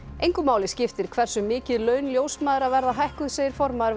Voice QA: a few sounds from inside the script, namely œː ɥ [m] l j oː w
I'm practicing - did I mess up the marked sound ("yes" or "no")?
yes